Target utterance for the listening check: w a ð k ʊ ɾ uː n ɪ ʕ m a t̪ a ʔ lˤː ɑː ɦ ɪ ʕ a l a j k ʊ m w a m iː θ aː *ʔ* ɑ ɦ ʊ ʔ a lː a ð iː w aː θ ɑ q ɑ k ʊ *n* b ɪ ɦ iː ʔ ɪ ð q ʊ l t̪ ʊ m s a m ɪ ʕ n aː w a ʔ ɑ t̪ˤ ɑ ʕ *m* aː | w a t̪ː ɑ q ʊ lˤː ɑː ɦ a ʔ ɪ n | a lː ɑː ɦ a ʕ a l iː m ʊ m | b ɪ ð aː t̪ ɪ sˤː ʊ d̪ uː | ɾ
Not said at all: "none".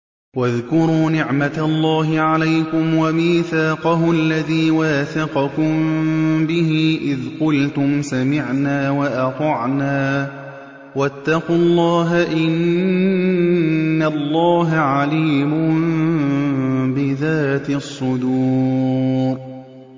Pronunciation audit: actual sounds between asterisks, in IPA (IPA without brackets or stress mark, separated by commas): q, m, n